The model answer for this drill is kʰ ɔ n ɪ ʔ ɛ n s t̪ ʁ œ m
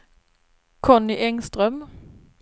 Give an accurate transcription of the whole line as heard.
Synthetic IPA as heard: kʰ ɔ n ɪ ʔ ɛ ŋ s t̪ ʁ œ m

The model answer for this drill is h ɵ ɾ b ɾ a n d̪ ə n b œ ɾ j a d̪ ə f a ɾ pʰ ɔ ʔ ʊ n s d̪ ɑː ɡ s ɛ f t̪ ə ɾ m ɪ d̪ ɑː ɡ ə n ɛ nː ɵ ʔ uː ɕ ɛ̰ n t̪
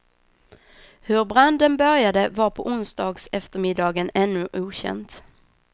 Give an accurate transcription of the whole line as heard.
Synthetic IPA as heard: h ɵ ɾ b ɾ a n d̪ ə n b œ ɾ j a d̪ ə v a ɾ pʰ ɔ ʔ ʊ n s d̪ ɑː ɡ s ɛ f t̪ ə ɾ m ɪ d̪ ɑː ɡ ə n ɛ nː ɵ ʔ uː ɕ ɛ̰ n t̪

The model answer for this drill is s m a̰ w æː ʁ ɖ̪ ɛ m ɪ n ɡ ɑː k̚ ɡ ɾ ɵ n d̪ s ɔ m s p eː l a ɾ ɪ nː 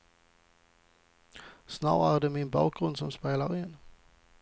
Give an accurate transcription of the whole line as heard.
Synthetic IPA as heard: s n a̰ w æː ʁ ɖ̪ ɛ m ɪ n b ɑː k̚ ɡ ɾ ɵ n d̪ s ɔ m s p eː l a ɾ ɪ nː

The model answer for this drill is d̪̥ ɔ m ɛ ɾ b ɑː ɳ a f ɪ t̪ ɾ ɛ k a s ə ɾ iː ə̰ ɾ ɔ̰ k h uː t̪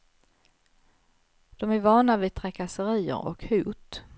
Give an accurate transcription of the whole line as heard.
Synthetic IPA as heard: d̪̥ ɔ m æ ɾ v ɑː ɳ a v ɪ t̪ʰ ɾ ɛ k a s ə ɾ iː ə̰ ɾ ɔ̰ k h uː t̪

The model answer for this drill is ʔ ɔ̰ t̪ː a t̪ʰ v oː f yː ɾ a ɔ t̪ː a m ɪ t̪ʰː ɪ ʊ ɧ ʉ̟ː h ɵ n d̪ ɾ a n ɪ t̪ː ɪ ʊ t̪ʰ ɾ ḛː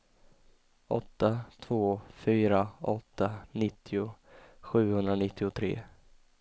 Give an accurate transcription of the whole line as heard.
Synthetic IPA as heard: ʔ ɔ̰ t̪ː a t̪ʰ v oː f yː ɾ a ɔ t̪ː a n ɪ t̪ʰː ɪ ʊ ɧ ʉ̟ː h ɵ n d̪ ɾ a n ɪ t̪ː ɪ ʊ t̪ʰ ɾ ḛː

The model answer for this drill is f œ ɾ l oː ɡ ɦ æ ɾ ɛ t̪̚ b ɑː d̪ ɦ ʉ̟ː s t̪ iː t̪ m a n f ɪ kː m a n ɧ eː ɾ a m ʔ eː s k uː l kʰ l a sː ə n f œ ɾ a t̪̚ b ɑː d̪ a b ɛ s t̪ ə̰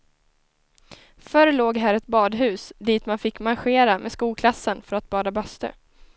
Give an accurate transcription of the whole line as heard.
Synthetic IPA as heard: f œ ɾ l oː ɡ ɦ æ ɾ ɛ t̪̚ b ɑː d̪ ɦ ʉ̟ː s d̪ iː t̪ m a n f ɪ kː m a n ɧ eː ɾ a m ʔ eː s k uː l kʰ l a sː ə n f œ ɾ a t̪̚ b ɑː d̪ a b œ s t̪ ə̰

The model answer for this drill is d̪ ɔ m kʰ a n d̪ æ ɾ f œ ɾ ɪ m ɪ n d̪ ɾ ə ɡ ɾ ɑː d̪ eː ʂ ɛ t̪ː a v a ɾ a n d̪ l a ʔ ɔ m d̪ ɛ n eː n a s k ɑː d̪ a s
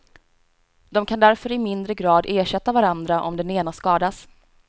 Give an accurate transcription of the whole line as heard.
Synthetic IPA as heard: d̪ ɔ m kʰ a n d̪ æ ɾ f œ ɾ ɪ m ɪ n d̪ ɾ ə ɡ ɾ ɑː d̪ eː ʂ ɛ t̪ː a v a ɾ a n d̪ ɾ a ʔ ɔ m d̪ ɛ n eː n a s k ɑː d̪ a s

